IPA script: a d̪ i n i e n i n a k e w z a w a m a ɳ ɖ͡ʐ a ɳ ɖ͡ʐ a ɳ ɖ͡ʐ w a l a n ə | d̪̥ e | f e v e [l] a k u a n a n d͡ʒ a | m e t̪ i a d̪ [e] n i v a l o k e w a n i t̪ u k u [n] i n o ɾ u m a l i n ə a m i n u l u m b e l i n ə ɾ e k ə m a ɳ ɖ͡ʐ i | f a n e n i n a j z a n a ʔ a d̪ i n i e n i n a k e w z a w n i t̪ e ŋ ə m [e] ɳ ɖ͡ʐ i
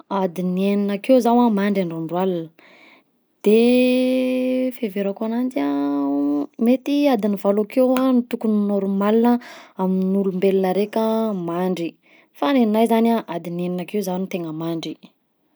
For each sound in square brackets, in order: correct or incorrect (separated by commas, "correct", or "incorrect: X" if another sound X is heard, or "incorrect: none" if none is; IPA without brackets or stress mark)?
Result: incorrect: ɾ, incorrect: i, correct, incorrect: a